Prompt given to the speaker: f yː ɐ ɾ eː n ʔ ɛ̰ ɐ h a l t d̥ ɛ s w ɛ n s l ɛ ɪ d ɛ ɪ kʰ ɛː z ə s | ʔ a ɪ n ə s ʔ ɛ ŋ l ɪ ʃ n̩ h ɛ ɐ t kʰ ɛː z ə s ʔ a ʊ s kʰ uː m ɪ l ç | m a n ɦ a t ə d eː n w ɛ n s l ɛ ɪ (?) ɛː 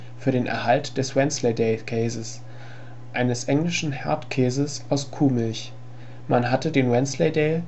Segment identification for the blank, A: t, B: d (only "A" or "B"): B